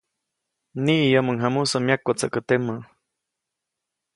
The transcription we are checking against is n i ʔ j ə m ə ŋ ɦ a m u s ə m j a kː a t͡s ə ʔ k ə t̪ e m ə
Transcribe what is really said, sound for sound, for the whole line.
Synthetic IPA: n i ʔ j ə m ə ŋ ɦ a m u s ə m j a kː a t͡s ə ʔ k ə t̪ e m ə